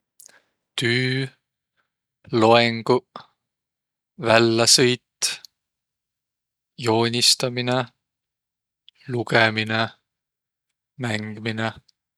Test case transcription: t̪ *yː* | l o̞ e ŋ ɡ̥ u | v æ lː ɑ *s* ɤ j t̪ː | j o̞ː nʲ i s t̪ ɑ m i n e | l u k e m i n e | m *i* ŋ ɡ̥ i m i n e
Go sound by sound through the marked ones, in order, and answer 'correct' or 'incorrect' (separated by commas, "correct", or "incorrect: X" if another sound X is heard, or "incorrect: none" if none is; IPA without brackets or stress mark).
correct, correct, incorrect: æ